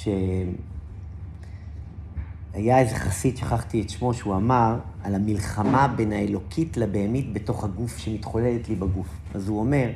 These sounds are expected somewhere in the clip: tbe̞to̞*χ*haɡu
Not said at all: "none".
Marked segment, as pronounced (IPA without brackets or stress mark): χ